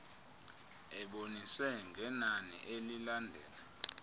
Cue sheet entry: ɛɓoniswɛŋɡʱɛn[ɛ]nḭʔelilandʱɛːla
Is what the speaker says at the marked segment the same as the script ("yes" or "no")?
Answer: no